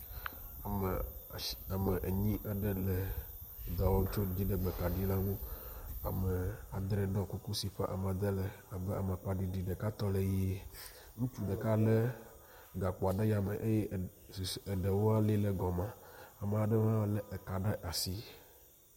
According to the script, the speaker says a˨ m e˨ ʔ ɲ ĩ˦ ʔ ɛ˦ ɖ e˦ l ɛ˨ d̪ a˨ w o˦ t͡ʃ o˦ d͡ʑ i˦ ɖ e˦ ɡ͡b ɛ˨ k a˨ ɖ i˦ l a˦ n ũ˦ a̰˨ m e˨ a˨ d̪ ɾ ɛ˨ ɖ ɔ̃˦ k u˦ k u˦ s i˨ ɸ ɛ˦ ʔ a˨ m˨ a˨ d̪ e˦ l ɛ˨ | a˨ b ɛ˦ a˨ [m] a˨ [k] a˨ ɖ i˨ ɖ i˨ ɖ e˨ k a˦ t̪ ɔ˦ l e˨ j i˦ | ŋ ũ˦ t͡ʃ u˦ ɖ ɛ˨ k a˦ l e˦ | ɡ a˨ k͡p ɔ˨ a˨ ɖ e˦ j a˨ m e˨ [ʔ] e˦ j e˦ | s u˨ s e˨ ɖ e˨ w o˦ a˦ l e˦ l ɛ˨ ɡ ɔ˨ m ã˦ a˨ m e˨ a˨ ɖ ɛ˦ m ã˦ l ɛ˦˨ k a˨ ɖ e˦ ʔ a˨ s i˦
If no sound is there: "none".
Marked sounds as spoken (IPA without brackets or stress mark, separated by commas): m, k͡p, ʔ